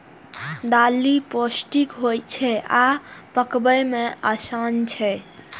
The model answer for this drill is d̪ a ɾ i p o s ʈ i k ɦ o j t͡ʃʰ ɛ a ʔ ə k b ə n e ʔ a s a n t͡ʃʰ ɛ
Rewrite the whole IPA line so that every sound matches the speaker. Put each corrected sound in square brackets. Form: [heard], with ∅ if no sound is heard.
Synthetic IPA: d̪ a [l] i p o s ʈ i k ɦ o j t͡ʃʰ ɛ a [p] ə k b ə [m] e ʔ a s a n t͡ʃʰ ɛ